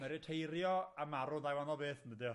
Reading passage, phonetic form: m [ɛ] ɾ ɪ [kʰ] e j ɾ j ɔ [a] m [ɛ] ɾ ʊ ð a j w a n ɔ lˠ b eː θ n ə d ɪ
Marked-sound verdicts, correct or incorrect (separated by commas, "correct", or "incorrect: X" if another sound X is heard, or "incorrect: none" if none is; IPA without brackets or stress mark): correct, incorrect: tʰ, correct, incorrect: a